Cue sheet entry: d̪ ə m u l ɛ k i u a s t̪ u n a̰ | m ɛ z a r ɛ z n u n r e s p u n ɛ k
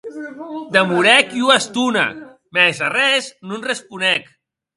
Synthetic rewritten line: d̪ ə m u ɾ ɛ k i u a s t̪ u n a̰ | m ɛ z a r ɛ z n u n r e s p u n ɛ k